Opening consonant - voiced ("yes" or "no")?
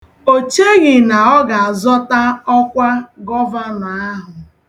no